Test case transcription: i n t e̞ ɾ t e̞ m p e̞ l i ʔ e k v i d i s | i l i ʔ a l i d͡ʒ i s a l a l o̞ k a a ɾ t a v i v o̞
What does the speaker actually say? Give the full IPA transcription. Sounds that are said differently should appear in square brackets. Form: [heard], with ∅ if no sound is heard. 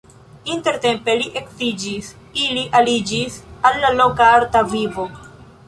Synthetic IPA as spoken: i n t e̞ ɾ t e̞ m p e̞ l i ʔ e k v i [d͡ʒ] i s | i l i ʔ a l i d͡ʒ i s a [lː] a l o̞ k a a ɾ t a v i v o̞